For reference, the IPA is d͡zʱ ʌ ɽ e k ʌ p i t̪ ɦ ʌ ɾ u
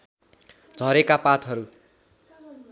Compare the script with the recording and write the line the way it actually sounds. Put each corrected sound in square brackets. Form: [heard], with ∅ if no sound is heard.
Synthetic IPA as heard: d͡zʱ ʌ [ɾ] e k [a] p [a] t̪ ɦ ʌ ɾ u